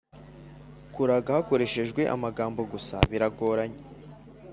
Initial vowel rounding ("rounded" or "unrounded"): rounded